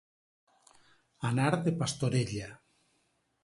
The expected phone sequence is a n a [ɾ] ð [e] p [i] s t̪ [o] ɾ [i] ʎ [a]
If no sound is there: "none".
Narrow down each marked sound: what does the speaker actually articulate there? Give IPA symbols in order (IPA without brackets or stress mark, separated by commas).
ɾ, e, a, o, e, a